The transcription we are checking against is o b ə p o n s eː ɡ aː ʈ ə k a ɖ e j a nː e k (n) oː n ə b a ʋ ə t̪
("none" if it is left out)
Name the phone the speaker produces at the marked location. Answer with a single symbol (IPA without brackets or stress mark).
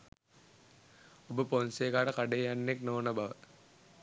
n